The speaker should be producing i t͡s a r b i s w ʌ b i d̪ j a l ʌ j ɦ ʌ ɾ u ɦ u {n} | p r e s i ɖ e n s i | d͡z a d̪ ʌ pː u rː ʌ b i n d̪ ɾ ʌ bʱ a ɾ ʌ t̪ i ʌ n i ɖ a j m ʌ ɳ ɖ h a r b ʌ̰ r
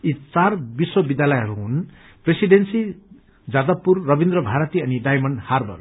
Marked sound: correct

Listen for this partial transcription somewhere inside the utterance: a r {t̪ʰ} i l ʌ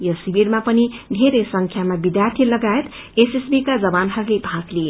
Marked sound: correct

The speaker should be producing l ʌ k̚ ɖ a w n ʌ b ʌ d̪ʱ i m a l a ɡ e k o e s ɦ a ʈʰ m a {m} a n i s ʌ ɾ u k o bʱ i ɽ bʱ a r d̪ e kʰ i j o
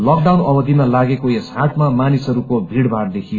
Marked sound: correct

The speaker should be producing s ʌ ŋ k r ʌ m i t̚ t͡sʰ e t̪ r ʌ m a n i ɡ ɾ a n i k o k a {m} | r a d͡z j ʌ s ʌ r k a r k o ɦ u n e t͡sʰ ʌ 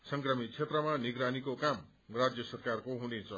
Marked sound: correct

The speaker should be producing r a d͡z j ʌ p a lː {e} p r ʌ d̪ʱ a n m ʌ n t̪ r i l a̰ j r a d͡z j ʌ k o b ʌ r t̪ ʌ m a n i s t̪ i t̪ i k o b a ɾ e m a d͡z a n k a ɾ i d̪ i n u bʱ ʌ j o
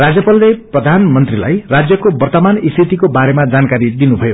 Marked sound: correct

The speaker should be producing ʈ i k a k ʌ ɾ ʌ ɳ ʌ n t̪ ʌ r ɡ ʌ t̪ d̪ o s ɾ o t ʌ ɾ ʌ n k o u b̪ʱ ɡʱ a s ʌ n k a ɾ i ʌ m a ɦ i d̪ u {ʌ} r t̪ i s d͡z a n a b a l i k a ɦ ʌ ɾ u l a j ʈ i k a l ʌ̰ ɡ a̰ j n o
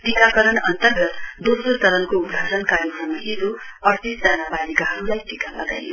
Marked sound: correct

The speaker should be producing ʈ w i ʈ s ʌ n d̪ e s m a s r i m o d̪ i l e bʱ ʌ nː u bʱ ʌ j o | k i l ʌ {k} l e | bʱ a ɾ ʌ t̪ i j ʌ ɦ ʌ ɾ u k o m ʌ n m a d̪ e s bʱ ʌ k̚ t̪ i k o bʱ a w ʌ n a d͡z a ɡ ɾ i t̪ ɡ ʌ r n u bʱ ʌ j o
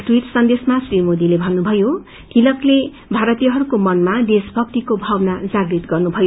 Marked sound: correct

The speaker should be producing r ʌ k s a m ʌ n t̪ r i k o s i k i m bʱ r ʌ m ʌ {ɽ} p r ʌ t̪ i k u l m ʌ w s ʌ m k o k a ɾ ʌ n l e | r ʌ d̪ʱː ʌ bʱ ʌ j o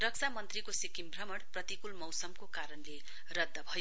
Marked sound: correct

